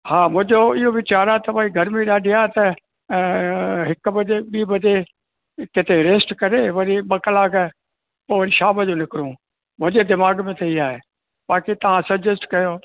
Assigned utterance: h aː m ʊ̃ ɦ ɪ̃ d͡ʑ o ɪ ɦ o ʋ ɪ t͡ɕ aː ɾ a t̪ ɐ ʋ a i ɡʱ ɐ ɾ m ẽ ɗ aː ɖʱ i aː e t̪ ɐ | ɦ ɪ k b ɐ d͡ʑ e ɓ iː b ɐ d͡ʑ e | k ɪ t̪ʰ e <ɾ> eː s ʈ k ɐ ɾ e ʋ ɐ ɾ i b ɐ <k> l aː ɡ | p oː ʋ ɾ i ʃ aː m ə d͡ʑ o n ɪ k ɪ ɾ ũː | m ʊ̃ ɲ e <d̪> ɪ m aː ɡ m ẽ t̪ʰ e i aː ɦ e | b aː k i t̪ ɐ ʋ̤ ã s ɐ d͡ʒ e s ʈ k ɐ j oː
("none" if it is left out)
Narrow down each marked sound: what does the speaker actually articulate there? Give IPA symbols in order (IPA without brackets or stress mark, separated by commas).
ɾ, k, d̪